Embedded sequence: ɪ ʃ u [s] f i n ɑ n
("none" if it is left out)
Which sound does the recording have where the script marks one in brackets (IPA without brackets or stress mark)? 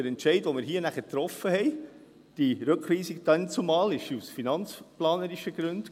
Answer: s